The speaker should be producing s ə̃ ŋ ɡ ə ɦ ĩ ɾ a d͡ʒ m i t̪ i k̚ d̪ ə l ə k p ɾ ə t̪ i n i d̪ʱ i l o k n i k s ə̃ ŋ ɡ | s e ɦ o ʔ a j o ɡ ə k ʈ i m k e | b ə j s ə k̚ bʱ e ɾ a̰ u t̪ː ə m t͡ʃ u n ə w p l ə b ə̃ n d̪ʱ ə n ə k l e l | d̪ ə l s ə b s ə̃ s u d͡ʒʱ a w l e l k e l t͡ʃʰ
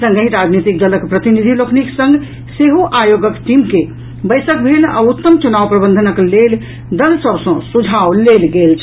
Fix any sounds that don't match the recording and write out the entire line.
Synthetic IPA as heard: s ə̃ ŋ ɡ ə ɦ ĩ ɾ a d͡ʒ n i t̪ i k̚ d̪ ə l ə k p ɾ ə t̪ i n i d̪ʱ i l o k n i k s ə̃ ŋ ɡ | s e ɦ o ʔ a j o ɡ ə k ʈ i m k e | b ə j s ə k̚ bʱ e l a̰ u t̪ː ə m t͡ʃ u n a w p ɾ ə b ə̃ n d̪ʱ ə n ə k l e l | d̪ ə l s ə b s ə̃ s u d͡ʒʱ a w l e l ɡ e l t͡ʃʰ